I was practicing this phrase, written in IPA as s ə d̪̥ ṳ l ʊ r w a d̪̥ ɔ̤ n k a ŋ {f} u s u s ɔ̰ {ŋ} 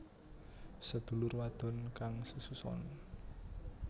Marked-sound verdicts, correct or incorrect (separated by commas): incorrect, incorrect